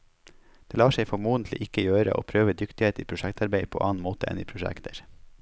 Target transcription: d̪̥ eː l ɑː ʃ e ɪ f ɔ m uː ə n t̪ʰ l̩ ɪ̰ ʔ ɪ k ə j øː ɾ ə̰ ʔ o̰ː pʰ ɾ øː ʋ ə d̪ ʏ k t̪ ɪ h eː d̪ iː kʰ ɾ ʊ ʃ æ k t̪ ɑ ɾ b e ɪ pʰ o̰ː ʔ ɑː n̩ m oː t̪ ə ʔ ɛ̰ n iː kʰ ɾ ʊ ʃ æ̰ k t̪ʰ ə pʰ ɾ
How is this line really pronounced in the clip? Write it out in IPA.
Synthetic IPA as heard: d̪̥ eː l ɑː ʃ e ɪ f ɔ m uː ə n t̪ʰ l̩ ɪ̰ ʔ ɪ k ə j øː ɾ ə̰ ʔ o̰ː pʰ ɾ øː ʋ ə d̪ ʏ k t̪ ɪ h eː t̪ iː pʰ ɾ ʊ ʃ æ k t̪ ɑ ɾ b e ɪ pʰ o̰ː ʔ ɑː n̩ m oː t̪ ə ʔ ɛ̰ n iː pʰ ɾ ʊ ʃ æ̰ k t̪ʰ ə ɾ